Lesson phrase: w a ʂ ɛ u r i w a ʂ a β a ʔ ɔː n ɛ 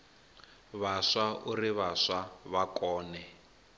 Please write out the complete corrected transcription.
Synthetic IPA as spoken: β a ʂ a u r i β a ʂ a β a k ɔː n ɛ